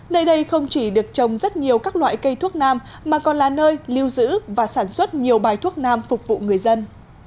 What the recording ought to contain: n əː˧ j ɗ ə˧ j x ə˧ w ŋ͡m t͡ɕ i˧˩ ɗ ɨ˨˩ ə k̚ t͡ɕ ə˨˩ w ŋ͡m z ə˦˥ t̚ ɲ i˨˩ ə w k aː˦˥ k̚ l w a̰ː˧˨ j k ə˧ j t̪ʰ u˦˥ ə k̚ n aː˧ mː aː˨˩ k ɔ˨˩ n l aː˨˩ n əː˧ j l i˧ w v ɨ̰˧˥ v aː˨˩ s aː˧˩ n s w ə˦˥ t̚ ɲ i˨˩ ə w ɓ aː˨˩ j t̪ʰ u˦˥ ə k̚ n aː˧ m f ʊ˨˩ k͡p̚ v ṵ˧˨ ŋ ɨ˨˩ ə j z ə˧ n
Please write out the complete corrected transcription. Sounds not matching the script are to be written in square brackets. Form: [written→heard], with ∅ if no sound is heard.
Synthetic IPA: n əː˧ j ɗ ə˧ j x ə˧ w ŋ͡m t͡ɕ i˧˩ ɗ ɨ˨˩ ə k̚ t͡ɕ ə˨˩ w ŋ͡m z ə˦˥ t̚ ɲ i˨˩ ə w k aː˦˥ k̚ l w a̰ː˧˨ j k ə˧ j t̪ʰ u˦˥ ə k̚ n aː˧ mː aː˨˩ k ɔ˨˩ n l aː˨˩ n əː˧ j l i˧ w [v→z] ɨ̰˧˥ v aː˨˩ s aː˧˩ n s w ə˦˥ t̚ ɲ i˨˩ ə w ɓ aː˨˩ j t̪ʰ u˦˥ ə k̚ n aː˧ m f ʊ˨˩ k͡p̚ v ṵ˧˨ ŋ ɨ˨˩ ə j z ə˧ n